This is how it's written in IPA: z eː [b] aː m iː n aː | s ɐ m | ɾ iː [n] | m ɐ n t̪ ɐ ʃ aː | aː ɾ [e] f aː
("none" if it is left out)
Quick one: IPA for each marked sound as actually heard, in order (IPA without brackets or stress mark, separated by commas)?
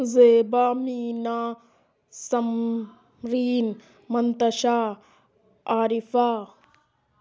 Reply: b, n, i